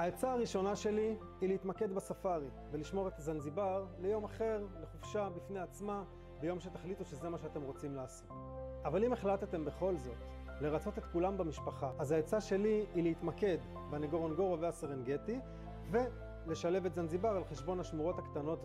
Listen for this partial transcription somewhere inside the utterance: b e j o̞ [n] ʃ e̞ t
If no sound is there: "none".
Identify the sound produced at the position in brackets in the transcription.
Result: m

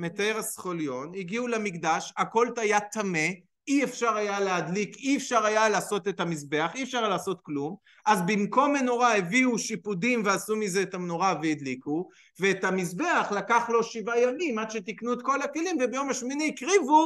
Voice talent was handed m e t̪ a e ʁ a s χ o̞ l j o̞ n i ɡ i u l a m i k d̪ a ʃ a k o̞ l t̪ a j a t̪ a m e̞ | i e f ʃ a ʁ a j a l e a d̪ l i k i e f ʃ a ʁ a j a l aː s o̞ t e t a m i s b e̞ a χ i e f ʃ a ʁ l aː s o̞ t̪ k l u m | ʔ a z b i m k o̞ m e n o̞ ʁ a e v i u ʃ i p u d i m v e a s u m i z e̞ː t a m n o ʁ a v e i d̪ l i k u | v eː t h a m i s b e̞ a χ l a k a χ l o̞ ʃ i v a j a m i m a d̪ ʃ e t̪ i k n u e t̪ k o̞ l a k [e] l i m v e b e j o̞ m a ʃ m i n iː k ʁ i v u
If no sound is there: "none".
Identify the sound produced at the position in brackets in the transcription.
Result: e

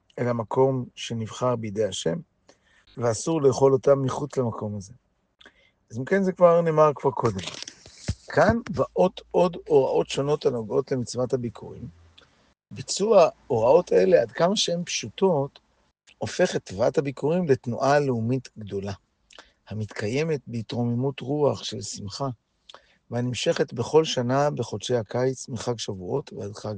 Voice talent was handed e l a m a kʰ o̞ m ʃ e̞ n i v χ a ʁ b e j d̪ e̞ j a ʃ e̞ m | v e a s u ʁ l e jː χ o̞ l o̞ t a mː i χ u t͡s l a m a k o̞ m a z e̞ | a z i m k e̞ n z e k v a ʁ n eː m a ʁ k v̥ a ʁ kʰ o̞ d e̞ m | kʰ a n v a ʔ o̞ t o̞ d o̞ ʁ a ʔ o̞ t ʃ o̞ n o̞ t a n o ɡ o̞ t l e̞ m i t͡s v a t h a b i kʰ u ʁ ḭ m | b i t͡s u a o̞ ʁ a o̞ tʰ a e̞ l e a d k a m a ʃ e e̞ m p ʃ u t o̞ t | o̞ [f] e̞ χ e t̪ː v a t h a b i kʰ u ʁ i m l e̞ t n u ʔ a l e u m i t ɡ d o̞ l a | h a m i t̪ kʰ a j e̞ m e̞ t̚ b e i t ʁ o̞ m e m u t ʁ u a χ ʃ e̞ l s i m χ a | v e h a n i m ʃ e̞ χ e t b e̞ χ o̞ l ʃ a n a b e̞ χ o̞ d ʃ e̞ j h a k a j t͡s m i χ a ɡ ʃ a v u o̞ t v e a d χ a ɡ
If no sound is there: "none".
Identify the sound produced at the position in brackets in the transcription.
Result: f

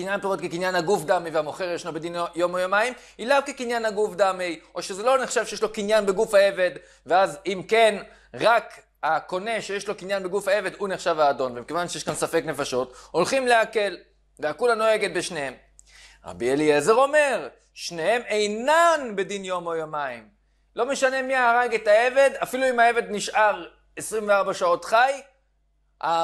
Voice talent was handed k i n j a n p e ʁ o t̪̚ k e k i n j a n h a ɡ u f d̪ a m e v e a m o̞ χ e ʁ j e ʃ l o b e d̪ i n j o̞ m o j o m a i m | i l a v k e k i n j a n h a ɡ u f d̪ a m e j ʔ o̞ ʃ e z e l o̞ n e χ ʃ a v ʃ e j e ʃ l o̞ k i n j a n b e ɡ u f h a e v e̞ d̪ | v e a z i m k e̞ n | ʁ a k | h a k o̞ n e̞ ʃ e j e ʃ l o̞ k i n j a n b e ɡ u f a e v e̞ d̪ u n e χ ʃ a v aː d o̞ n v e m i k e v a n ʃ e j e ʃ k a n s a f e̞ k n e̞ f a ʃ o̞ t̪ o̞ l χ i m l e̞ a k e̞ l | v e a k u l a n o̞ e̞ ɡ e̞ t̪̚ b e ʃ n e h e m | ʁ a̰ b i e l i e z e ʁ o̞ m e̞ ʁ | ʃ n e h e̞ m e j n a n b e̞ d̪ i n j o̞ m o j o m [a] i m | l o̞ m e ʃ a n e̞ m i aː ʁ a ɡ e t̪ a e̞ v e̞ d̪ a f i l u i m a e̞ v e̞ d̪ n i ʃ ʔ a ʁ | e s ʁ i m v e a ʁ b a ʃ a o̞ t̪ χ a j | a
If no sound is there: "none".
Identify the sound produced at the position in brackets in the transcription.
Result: a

